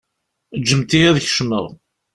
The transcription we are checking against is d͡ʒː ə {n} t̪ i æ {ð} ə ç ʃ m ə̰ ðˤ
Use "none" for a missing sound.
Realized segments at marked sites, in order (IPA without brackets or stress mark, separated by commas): m, ð